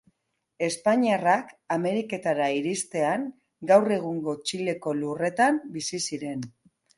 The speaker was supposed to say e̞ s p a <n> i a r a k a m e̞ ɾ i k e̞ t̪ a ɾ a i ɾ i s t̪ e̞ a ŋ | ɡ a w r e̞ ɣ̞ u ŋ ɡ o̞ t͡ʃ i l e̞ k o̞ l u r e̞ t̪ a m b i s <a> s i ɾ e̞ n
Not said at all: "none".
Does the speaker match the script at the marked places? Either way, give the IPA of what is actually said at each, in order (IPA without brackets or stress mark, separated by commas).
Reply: ɲ, i